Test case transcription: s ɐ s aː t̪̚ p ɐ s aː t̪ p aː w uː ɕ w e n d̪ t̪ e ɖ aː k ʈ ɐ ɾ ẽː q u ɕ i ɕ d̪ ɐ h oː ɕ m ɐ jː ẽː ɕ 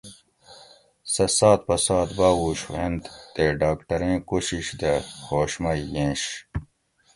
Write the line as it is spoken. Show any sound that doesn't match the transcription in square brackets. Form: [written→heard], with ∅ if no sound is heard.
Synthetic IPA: s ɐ s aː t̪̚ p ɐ s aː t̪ [p→b] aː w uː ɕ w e n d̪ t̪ e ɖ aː k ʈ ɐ ɾ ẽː [q→k] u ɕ i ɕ d̪ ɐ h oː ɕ m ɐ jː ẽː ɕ